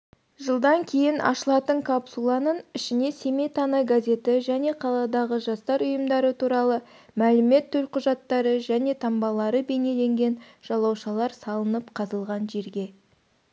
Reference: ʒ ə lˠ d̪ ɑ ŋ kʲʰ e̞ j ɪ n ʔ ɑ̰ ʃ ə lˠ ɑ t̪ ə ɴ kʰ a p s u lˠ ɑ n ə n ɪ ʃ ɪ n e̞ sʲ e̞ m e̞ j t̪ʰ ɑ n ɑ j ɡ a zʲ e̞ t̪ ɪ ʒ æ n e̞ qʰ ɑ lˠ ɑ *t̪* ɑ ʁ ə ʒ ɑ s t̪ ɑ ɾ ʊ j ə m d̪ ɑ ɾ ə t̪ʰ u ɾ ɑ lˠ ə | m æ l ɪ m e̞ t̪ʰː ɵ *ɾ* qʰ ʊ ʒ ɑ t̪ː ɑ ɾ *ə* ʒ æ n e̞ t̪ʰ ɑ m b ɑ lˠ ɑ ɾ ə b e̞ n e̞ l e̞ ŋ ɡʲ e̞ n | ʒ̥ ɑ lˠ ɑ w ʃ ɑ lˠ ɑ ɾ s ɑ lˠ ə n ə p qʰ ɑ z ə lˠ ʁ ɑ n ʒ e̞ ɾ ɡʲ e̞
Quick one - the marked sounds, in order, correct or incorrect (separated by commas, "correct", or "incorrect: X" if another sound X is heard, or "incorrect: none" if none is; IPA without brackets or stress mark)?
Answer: incorrect: d̪, incorrect: l, correct